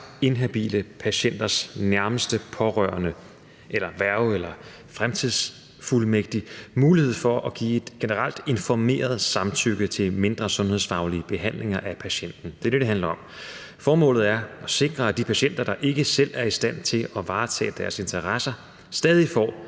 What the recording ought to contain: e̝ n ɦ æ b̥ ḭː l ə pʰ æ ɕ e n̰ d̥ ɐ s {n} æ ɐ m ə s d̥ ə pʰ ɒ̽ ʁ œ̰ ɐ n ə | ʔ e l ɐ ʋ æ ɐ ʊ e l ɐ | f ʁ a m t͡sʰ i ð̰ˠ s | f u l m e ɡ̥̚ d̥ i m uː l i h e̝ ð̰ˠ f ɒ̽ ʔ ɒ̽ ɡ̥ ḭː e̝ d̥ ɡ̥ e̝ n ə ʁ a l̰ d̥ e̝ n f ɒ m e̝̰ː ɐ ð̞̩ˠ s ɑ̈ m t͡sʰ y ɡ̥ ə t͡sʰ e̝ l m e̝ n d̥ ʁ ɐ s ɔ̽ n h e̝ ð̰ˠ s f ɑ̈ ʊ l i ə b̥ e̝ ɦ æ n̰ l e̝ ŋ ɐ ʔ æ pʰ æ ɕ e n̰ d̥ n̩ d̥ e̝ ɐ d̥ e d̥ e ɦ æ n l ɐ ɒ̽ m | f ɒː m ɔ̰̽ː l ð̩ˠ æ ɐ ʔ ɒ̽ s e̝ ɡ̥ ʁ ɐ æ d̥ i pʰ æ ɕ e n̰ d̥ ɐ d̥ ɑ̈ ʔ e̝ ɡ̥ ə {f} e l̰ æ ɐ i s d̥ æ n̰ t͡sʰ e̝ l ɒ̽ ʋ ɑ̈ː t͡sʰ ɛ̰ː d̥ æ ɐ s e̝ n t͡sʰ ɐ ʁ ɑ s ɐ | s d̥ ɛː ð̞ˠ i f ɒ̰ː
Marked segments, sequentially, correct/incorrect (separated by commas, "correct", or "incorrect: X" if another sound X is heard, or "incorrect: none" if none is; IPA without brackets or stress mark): correct, incorrect: s